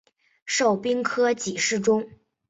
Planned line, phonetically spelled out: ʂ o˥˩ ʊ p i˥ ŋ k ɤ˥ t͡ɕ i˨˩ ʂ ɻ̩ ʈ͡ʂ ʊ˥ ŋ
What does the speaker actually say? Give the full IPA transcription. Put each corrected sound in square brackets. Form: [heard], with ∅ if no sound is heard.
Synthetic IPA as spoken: ʂ o˥˩ ʊ p i˥ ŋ [kʰ] ɤ˥ t͡ɕ i˨˩ ʂ ɻ̩ ʈ͡ʂ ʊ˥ ŋ